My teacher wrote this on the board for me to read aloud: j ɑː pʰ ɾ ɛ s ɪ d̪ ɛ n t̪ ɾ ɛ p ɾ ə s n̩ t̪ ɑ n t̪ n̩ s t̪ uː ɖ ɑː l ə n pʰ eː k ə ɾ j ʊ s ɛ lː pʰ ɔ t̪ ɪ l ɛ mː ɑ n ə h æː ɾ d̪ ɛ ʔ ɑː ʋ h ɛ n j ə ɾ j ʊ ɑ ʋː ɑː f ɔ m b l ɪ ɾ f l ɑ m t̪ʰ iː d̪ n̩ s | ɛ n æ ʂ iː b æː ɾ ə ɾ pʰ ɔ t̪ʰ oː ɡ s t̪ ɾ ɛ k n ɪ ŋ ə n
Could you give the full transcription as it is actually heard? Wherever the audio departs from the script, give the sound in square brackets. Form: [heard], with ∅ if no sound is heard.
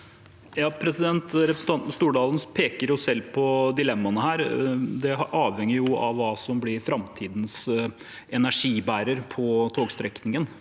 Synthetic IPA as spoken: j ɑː pʰ ɾ ɛ s ɪ d̪ ɛ n t̪ ɾ ɛ p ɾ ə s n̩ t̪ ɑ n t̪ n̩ s t̪ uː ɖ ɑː l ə n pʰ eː k ə ɾ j ʊ s ɛ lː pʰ ɔ [d̪] ɪ l ɛ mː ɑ n ə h æː ɾ d̪ ɛ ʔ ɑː ʋ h ɛ [ŋ] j ə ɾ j ʊ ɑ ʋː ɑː [s] ɔ m b l ɪ ɾ f [ɾ] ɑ m t̪ʰ iː d̪ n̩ s | ɛ n æ ʂ iː b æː ɾ ə ɾ pʰ ɔ t̪ʰ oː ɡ s t̪ ɾ ɛ k n ɪ ŋ ə n